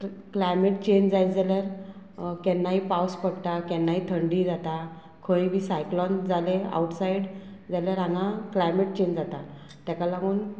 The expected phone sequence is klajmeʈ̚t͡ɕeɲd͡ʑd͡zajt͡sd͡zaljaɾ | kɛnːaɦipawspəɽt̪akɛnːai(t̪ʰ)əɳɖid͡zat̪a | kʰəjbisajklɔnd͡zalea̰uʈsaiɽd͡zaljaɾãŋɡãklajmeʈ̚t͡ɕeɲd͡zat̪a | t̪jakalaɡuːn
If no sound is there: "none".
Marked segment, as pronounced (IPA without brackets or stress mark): t̪ʰ